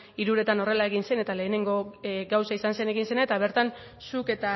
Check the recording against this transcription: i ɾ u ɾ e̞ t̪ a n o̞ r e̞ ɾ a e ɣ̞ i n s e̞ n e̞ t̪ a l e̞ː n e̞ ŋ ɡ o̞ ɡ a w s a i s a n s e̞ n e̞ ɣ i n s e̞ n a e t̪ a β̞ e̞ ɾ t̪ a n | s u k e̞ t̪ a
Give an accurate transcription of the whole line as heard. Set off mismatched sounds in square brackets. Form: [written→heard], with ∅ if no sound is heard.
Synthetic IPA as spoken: i ɾ u ɾ e̞ t̪ a n o̞ r e̞ [ɾ→l] a e ɣ̞ i n s e̞ n e̞ t̪ a l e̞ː n e̞ ŋ ɡ o̞ ɡ a w s a i s a n s e̞ n e̞ ɣ i n s e̞ n a e t̪ a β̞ e̞ ɾ t̪ a n | s u k e̞ t̪ a